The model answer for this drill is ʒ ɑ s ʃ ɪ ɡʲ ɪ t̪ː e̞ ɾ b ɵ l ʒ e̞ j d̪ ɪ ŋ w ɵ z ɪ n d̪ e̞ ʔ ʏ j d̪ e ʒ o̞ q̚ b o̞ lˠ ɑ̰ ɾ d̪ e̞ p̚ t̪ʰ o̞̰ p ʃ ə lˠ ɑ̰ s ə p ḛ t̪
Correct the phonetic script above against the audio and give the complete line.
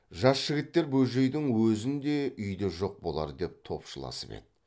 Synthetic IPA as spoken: ʒ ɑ s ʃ ɪ ɡʲ ɪ t̪ː e̞ ɾ b ɵ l ʒ e̞ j d̪ ɪ ŋ w ɵ z ɪ n d̪ e̞ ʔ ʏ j d̪ e ʒ o̞ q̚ b o̞ lˠ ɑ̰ ɾ d̪ e̞ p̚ t̪ʰ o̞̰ p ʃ ə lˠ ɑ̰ s ə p ḛ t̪